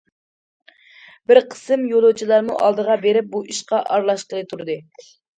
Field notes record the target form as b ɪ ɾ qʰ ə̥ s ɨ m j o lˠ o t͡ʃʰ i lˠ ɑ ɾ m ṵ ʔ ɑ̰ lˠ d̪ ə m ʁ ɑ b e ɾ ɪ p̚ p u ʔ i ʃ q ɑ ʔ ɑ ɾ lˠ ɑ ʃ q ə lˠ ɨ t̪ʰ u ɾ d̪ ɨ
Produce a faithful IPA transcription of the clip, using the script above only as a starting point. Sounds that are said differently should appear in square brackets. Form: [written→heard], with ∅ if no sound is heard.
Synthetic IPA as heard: b ɪ ɾ qʰ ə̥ s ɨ m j o lˠ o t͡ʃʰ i lˠ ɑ ɾ m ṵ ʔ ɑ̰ lˠ d̪ ə [m→∅] ʁ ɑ b e ɾ ɪ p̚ [p→b] u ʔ i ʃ q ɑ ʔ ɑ ɾ lˠ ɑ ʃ q ə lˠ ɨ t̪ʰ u ɾ d̪ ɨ